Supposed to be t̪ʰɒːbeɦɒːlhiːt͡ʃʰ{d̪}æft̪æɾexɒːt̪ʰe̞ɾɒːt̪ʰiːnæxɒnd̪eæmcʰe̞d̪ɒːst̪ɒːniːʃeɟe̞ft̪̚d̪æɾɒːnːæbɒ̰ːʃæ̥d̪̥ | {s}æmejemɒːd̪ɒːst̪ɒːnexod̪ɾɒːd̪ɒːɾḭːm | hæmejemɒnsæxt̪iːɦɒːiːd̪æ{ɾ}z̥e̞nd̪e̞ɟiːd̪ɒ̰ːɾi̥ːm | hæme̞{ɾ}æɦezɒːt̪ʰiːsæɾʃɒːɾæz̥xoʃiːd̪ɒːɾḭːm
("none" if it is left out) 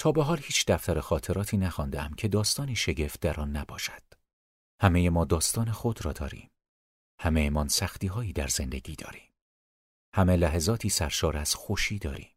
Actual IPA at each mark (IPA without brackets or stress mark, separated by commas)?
d̪, h, ɾ, l